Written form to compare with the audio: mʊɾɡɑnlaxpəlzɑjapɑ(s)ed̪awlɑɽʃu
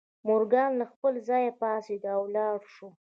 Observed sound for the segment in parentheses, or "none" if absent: s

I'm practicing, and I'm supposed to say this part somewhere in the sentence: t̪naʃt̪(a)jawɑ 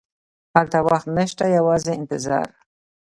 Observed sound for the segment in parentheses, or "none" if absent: a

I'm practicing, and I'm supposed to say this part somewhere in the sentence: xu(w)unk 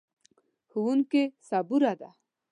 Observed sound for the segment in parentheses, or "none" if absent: w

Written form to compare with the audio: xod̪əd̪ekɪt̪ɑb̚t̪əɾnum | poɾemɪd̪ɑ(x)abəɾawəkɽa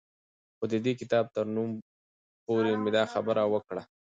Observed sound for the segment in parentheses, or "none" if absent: x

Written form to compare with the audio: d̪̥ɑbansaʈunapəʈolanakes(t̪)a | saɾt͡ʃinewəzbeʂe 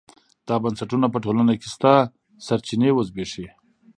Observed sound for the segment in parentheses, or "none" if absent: t̪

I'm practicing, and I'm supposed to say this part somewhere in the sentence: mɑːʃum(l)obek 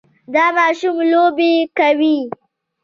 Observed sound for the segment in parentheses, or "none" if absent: l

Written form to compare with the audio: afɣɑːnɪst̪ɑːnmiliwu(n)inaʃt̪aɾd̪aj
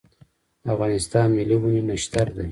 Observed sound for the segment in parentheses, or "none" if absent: n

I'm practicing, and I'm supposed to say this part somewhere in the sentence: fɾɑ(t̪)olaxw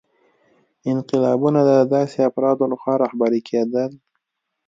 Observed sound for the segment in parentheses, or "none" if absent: d̪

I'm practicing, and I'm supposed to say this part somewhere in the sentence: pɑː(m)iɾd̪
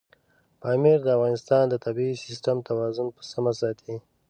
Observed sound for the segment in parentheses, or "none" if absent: m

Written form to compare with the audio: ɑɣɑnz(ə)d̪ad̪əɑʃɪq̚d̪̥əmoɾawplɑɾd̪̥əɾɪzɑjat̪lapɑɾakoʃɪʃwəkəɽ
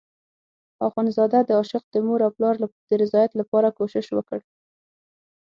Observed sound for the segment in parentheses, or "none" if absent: ɑ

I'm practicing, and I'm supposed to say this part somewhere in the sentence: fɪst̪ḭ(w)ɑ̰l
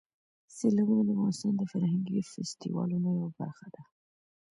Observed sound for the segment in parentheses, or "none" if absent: w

